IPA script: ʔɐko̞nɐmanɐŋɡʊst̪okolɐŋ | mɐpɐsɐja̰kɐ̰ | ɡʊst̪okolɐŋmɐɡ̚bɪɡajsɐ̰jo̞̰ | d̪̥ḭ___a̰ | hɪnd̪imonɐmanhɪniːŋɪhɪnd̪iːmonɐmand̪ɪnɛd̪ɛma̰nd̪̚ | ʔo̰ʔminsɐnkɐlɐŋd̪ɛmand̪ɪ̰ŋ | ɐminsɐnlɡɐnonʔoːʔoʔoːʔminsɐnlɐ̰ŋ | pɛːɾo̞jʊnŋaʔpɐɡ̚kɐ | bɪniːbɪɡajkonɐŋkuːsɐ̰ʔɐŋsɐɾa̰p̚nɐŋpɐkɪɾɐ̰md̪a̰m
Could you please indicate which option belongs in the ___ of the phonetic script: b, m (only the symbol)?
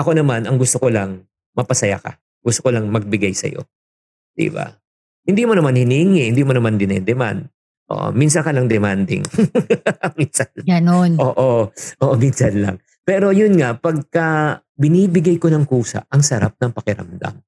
b